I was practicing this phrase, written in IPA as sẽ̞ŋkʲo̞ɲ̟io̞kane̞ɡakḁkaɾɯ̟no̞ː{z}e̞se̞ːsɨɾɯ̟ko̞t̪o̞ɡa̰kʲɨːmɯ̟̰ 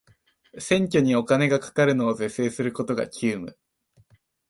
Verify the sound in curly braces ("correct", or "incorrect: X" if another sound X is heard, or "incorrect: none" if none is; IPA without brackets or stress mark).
correct